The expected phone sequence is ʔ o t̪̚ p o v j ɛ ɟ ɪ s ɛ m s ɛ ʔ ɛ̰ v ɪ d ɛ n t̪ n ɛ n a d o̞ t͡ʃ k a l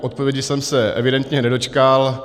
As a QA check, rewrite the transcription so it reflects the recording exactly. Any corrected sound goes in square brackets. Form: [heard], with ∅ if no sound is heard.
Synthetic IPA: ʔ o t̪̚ p o v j ɛ ɟ ɪ s ɛ m s ɛ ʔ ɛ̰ v ɪ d ɛ n t̪ [ɲ] ɛ n [ɛ] d o̞ t͡ʃ k a l

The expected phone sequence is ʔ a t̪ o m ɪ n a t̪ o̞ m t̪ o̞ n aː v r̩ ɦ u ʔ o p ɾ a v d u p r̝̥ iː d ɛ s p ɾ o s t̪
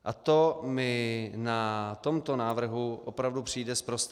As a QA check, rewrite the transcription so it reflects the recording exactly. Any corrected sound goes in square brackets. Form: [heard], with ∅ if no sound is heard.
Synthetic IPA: ʔ a t̪ o m ɪ n a t̪ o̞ m t̪ o̞ n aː v r̩ ɦ u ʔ o p ɾ a v d u p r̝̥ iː d ɛ s p ɾ o s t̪

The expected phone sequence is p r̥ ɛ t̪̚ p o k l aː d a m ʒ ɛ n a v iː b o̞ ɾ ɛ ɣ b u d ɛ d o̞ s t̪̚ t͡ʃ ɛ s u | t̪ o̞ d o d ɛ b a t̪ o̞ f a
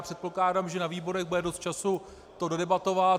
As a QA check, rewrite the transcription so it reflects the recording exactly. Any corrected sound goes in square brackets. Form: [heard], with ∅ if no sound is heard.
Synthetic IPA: p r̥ ɛ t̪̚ p o k l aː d a m ʒ ɛ n a v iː b o̞ ɾ ɛ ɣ b u d ɛ d o̞ s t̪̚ t͡ʃ [a] s u | t̪ o̞ d o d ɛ b a t̪ o̞ [v] a

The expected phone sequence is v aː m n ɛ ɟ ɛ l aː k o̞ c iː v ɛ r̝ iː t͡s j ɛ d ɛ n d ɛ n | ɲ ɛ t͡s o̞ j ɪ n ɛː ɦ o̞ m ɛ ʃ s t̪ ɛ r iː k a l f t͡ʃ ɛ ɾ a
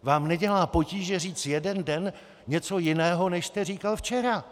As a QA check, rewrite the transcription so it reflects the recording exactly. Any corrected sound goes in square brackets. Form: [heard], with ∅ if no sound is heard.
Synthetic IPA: v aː m n ɛ ɟ ɛ l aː [p] o̞ c iː [ʒ] ɛ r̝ iː t͡s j ɛ d ɛ n d ɛ n | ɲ ɛ t͡s o̞ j ɪ n ɛː ɦ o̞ [n] ɛ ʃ s t̪ ɛ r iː k a l f t͡ʃ ɛ ɾ a

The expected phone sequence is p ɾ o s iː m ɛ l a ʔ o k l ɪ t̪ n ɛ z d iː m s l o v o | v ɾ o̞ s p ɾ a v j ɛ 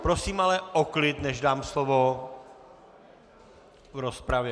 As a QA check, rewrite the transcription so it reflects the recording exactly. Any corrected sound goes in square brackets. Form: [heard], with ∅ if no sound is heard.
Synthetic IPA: p ɾ o s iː m [a] l [ɛ] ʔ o k l ɪ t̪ n ɛ [ʒ] d [aː] m s l o v o | v ɾ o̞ s p ɾ a v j ɛ

